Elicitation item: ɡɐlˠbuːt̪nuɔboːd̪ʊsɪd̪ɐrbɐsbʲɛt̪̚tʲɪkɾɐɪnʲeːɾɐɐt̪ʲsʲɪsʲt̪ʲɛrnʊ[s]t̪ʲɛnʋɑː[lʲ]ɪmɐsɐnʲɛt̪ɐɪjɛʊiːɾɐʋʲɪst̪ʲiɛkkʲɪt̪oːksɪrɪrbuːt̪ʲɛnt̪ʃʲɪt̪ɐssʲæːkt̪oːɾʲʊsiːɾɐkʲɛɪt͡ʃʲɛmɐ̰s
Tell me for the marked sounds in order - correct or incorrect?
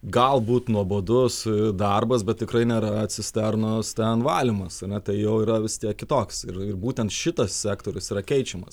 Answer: correct, correct

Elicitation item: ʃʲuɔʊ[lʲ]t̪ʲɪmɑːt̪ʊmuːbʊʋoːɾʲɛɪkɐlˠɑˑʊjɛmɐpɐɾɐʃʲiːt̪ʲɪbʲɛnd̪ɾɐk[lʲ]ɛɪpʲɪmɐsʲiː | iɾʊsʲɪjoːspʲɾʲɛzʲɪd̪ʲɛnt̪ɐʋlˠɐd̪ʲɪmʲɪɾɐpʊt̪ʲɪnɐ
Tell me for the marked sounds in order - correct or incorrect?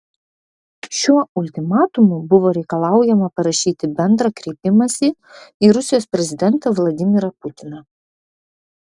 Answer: correct, incorrect

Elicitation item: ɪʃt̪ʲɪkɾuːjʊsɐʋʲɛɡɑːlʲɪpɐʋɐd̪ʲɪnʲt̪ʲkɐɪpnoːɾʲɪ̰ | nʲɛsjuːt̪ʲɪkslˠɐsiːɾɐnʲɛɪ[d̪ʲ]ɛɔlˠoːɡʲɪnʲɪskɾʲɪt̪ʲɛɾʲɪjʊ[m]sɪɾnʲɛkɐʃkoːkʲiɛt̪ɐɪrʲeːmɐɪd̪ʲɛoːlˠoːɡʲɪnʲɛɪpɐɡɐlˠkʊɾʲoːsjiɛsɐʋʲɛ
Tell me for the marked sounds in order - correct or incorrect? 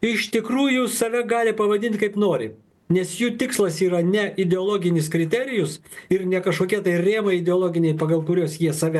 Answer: correct, incorrect

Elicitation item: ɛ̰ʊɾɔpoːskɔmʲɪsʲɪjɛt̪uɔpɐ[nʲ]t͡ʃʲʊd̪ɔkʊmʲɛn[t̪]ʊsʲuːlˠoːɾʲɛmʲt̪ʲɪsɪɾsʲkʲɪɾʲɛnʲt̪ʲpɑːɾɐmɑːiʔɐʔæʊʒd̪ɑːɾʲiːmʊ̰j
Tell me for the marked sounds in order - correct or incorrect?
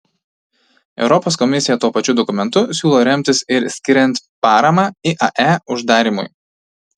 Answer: incorrect, correct

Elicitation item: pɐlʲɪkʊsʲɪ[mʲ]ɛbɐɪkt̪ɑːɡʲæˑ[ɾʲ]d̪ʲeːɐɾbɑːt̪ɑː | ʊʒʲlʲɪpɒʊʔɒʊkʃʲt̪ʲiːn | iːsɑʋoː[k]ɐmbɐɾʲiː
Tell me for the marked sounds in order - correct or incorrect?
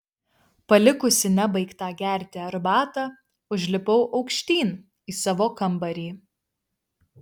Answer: incorrect, correct, correct

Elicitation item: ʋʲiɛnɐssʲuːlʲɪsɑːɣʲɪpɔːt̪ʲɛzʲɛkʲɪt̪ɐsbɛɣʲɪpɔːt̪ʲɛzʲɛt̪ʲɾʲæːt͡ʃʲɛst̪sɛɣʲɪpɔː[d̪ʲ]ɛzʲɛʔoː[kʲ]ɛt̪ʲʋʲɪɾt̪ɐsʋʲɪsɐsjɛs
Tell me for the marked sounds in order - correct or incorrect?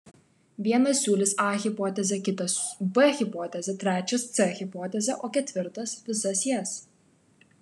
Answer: incorrect, correct

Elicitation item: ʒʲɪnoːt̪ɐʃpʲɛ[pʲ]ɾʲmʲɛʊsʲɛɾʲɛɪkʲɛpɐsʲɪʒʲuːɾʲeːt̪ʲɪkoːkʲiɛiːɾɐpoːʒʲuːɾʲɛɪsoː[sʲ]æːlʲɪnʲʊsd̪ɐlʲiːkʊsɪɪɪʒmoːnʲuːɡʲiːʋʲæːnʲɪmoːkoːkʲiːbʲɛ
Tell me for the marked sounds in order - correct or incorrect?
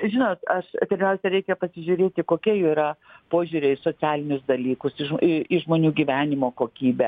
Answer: incorrect, incorrect

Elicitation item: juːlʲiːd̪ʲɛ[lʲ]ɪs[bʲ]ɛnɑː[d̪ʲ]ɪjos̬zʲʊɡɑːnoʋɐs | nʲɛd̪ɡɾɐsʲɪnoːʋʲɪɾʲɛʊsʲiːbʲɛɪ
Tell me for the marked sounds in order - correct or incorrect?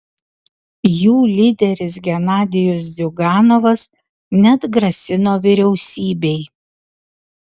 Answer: incorrect, incorrect, correct

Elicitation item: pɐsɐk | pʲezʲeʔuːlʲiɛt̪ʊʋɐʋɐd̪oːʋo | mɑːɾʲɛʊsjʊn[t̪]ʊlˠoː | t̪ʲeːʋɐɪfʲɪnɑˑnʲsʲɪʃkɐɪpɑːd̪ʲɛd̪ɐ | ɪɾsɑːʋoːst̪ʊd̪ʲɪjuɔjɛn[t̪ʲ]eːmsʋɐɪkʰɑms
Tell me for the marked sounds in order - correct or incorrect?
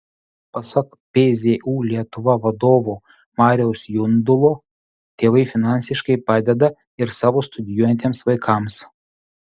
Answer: incorrect, correct

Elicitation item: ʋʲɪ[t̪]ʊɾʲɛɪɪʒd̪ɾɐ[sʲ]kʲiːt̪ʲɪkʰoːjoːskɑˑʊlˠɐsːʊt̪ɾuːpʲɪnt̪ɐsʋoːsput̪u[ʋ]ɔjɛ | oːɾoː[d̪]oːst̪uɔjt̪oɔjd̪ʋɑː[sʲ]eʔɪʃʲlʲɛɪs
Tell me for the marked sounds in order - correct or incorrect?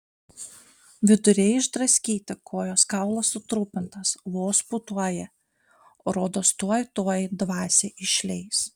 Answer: incorrect, correct, incorrect, correct, correct

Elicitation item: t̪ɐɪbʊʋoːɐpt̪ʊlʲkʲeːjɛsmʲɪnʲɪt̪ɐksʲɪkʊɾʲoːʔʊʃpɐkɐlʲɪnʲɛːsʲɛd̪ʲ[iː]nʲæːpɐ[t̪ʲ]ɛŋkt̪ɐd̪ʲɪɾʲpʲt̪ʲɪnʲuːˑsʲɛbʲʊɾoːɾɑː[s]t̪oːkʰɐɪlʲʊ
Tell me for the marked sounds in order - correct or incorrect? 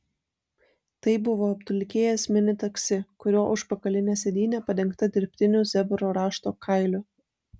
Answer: correct, incorrect, incorrect

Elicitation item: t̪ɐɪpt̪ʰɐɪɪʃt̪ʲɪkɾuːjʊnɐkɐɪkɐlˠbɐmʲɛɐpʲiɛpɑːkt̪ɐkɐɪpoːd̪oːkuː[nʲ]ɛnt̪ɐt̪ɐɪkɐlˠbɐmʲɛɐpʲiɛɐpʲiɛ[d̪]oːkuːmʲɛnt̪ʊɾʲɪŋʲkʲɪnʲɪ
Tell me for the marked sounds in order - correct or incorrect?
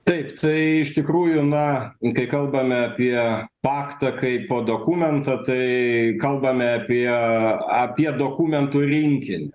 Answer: incorrect, correct

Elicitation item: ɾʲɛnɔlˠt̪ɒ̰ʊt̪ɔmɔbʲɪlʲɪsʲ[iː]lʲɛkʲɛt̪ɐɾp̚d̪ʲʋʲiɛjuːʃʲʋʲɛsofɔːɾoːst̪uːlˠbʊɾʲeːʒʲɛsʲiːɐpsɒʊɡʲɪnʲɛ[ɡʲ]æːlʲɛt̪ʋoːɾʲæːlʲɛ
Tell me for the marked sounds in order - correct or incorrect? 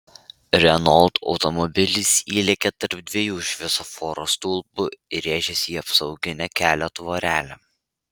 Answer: correct, incorrect

